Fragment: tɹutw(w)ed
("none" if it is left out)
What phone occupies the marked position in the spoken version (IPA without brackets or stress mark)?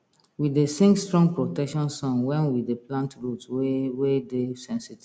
w